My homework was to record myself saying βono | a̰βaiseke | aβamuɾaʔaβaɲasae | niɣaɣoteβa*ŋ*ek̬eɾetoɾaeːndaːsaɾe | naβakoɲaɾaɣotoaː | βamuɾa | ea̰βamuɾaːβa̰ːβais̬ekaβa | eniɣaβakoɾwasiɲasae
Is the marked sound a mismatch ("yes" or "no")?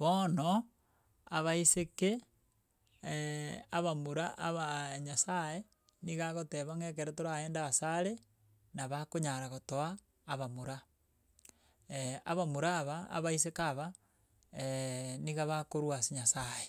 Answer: no